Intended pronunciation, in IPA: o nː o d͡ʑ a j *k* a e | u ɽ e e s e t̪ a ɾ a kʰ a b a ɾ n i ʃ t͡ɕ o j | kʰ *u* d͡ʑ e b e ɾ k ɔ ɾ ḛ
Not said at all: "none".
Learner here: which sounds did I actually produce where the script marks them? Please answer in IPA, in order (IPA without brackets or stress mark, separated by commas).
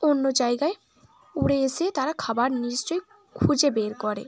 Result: ɡ, u